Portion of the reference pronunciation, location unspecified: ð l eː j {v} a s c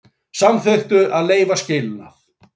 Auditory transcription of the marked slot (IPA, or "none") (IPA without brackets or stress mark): v